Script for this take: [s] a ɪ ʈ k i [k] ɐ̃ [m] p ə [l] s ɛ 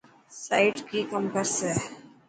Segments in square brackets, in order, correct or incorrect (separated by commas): correct, correct, correct, incorrect